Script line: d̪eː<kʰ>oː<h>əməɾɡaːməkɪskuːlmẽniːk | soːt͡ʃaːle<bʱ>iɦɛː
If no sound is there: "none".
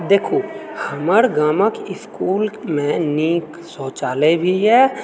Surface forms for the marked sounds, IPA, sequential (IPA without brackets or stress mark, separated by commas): kʰ, h, bʱ